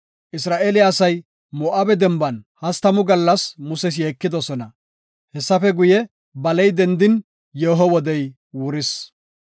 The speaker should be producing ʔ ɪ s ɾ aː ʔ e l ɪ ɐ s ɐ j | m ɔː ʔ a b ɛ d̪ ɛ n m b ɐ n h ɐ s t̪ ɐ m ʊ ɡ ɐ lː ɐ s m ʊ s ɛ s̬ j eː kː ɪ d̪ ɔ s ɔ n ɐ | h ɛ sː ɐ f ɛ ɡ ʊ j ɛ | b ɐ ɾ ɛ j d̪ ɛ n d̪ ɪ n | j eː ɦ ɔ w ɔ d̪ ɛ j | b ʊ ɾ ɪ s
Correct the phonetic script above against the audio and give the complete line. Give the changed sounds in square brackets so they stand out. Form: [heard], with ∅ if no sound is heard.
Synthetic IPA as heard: ʔ ɪ s ɾ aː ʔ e l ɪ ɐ s ɐ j | m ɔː ʔ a b ɛ d̪ ɛ [∅] m b ɐ n h ɐ s t̪ ɐ m ʊ ɡ ɐ lː ɐ s m ʊ s ɛ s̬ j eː kː ɪ d̪ ɔ s ɔ n ɐ | h ɛ sː ɐ f ɛ ɡ ʊ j ɛ | b ɐ [l] ɛ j d̪ ɛ n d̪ ɪ n | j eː ɦ ɔ w ɔ d̪ ɛ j | [w] ʊ ɾ ɪ s

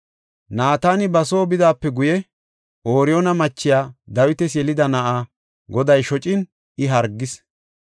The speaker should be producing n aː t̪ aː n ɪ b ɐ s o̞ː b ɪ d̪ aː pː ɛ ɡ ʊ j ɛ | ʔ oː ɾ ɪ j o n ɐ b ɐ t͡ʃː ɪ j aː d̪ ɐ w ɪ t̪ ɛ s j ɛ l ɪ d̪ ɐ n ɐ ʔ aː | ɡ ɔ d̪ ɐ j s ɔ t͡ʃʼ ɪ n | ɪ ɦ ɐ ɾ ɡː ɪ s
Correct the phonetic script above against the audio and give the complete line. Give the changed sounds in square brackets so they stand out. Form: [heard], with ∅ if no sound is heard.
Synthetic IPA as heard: n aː t̪ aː n ɪ b ɐ s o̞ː b ɪ d̪ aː pː ɛ ɡ ʊ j ɛ | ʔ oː ɾ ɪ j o n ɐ [m] ɐ t͡ʃː ɪ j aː d̪ ɐ w ɪ t̪ ɛ s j ɛ l ɪ d̪ ɐ n ɐ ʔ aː | ɡ ɔ d̪ ɐ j [ʃ] ɔ t͡ʃʼ ɪ n | ɪ ɦ ɐ ɾ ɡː ɪ s

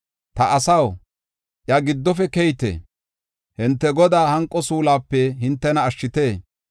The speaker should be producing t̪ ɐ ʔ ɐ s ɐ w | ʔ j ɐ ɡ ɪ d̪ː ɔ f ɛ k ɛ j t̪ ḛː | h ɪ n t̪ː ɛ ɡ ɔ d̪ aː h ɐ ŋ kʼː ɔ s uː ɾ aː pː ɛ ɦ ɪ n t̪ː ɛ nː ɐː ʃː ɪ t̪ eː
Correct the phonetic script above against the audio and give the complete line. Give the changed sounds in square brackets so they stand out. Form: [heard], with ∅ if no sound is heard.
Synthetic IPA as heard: t̪ ɐ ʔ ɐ s ɐ w | ʔ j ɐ ɡ ɪ d̪ː ɔ f ɛ k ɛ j t̪ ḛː | h ɪ n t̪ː ɛ ɡ ɔ d̪ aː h ɐ ŋ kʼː ɔ s uː [l] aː pː ɛ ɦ ɪ n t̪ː ɛ [n] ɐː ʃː ɪ t̪ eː

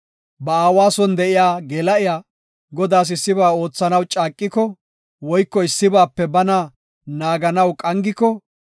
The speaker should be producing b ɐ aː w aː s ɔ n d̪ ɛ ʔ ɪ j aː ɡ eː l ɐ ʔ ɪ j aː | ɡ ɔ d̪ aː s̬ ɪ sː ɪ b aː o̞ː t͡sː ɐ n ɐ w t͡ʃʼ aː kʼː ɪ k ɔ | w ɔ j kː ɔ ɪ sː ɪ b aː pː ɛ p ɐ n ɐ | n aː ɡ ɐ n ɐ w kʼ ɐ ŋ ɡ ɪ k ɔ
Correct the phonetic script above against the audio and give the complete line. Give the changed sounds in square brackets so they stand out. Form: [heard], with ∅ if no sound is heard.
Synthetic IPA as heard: b ɐ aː w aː s ɔ n d̪ ɛ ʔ ɪ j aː ɡ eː l ɐ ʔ ɪ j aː | ɡ ɔ d̪ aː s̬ ɪ sː ɪ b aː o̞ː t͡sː ɐ n ɐ w t͡ʃʼ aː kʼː ɪ k ɔ | w ɔ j kː ɔ ɪ sː ɪ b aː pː ɛ [b] ɐ n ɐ | n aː ɡ ɐ n ɐ w kʼ ɐ ŋ ɡ ɪ k ɔ

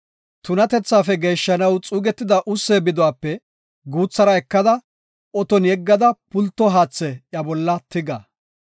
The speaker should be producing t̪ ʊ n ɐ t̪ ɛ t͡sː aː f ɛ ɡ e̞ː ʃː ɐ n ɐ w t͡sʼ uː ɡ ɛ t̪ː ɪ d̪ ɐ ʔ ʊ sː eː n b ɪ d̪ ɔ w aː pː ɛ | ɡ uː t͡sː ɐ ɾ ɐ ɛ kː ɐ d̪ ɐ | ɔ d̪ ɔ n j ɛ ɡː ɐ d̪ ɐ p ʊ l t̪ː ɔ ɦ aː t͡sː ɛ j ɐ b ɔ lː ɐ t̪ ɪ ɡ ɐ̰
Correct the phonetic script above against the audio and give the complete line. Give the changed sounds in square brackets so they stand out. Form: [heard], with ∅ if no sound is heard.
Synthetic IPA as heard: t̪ ʊ n ɐ t̪ ɛ t͡sː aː f ɛ ɡ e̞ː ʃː ɐ n ɐ w t͡sʼ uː ɡ ɛ t̪ː ɪ d̪ ɐ ʔ ʊ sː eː [∅] b ɪ d̪ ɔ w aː pː ɛ | ɡ uː t͡sː ɐ ɾ ɐ ɛ kː ɐ d̪ ɐ | ɔ [t̪] ɔ n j ɛ ɡː ɐ d̪ ɐ p ʊ l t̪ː ɔ ɦ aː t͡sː ɛ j ɐ b ɔ lː ɐ t̪ ɪ ɡ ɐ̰

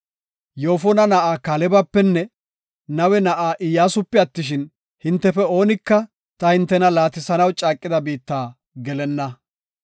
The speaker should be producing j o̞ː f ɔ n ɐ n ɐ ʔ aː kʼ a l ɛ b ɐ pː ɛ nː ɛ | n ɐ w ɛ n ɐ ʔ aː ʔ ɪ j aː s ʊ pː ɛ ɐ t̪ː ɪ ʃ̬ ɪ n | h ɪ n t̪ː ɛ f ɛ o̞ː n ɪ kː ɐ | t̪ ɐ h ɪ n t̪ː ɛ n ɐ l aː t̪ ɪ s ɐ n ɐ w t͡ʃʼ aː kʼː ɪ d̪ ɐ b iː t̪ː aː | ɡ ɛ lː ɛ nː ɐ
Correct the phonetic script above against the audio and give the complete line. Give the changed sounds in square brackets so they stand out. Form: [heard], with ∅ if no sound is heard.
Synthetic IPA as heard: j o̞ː f ɔ n ɐ n ɐ ʔ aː [k] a l ɛ b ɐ pː ɛ nː ɛ | n ɐ w ɛ n ɐ ʔ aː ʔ ɪ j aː s ʊ pː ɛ ɐ t̪ː ɪ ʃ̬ ɪ n | h ɪ n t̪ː ɛ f ɛ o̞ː n ɪ kː ɐ | t̪ ɐ h ɪ n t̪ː ɛ n ɐ l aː t̪ ɪ s ɐ n ɐ w t͡ʃʼ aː kʼː ɪ d̪ ɐ b iː t̪ː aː | ɡ ɛ [l] ɛ nː ɐ

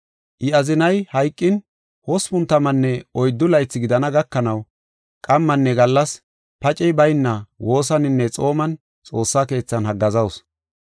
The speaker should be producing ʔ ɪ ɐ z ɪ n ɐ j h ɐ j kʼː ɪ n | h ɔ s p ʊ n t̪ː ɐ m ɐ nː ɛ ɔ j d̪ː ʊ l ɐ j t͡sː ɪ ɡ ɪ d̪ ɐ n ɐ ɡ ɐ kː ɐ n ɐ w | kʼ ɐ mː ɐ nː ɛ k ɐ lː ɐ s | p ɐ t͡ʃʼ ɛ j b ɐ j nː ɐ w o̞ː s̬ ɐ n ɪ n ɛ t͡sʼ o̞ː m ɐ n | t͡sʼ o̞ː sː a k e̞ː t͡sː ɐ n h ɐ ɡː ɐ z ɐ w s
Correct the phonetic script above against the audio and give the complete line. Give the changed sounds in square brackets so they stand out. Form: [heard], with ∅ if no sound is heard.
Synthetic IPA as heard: ʔ ɪ ɐ z ɪ n ɐ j h ɐ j kʼː ɪ n | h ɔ s p ʊ n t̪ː ɐ m ɐ nː ɛ ɔ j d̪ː ʊ l ɐ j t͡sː ɪ ɡ ɪ d̪ ɐ n ɐ ɡ ɐ kː ɐ n ɐ w | kʼ ɐ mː ɐ nː ɛ [ɡ] ɐ lː ɐ s | p ɐ t͡ʃʼ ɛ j b ɐ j nː ɐ w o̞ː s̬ ɐ n ɪ [nː] ɛ t͡sʼ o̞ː m ɐ n | t͡sʼ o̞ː sː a k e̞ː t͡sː ɐ n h ɐ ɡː ɐ z ɐ w s

